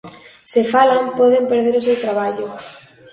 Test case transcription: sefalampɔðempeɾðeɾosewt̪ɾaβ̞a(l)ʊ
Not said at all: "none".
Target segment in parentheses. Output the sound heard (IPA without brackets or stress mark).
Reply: ʎ